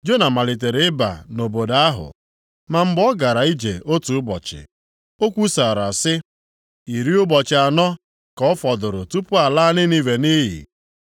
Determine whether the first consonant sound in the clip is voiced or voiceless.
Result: voiced